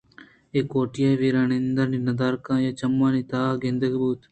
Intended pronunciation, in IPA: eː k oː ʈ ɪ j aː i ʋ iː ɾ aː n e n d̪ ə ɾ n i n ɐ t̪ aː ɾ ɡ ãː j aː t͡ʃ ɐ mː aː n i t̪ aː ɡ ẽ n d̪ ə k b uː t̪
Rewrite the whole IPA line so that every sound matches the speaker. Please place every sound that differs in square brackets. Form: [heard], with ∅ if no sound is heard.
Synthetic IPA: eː k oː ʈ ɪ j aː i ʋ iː ɾ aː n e n d̪ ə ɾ n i n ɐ [d̪] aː ɾ [k] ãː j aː t͡ʃ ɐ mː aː n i t̪ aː ɡ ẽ n d̪ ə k b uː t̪